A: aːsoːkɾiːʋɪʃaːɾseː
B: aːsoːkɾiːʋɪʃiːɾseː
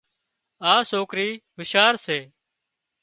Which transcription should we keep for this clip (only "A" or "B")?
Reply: A